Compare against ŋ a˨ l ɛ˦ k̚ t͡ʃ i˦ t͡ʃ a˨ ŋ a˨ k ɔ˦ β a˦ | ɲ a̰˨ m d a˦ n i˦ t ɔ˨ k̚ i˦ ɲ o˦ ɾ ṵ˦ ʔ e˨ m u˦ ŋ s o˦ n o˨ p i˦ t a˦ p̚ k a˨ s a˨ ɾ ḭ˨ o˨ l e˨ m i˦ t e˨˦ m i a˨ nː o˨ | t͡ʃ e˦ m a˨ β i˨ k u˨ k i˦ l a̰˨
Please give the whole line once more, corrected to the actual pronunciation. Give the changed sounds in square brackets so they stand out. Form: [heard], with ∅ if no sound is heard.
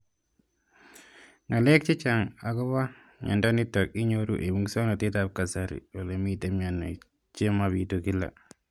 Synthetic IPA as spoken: ŋ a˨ l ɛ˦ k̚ t͡ʃ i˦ t͡ʃ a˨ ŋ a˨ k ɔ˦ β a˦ | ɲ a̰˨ [n] d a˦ n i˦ t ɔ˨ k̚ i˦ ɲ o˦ ɾ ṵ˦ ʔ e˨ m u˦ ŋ s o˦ n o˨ [t] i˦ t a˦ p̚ k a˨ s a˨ ɾ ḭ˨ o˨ l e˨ m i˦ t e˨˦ m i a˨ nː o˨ | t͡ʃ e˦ m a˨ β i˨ [t] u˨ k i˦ l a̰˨